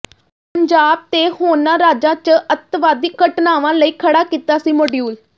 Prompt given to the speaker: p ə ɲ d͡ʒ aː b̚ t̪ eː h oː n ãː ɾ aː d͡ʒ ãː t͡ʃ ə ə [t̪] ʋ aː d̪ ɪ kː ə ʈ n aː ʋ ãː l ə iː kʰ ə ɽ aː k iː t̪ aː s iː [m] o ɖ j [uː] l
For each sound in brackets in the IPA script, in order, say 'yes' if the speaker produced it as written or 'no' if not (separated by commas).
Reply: yes, yes, yes